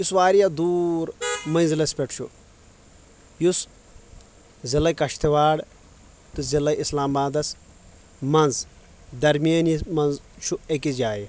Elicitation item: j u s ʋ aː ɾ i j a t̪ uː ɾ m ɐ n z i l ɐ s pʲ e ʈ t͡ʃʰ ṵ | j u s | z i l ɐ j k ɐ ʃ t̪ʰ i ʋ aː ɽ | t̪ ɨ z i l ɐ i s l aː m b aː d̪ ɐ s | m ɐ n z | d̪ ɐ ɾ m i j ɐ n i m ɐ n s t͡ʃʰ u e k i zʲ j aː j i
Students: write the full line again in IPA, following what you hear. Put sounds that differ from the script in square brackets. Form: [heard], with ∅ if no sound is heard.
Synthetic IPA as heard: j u s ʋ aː ɾ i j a [d̪] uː ɾ m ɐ n z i l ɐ s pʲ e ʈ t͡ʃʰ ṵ | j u s | z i l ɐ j k ɐ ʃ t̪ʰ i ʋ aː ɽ | t̪ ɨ z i l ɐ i s l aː m b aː d̪ ɐ s | m ɐ n z | d̪ ɐ ɾ m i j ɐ n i m ɐ n [z] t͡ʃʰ u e k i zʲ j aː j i